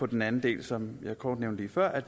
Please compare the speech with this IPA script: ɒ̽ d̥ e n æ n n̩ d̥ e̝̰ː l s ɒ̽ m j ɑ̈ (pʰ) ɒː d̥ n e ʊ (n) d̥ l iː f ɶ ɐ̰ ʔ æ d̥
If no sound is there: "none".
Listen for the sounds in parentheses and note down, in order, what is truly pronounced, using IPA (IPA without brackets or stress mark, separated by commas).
kʰ, n